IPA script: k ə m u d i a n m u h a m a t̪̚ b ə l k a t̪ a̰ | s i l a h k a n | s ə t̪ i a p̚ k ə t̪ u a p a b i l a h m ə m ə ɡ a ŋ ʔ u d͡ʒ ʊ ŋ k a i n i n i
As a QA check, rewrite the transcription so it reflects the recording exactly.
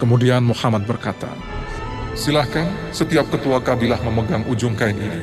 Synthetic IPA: k ə m u d i a n m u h a m a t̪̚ b ə r k a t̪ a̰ | s i l a h k a n | s ə t̪ i a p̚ k ə t̪ u a k a b i l a h m ə m ə ɡ a ŋ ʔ u d͡ʒ ʊ ŋ k a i n i n i